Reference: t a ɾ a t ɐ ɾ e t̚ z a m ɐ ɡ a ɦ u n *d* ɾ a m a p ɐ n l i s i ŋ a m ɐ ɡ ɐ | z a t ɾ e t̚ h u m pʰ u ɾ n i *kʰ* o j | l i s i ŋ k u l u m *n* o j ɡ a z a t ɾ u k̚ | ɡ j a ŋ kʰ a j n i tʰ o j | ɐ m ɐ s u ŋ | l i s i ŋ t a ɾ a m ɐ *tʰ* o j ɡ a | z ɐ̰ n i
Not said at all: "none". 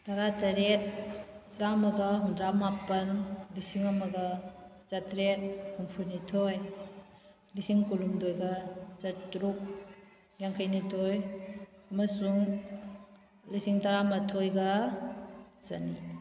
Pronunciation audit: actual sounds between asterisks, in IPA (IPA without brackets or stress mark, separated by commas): d, tʰ, d, tʰ